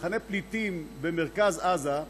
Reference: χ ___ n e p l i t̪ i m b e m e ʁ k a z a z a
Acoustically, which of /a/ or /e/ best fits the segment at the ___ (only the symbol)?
a